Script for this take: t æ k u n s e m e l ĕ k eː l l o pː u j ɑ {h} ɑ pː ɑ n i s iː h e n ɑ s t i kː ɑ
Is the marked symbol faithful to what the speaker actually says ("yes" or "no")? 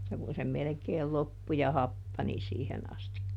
yes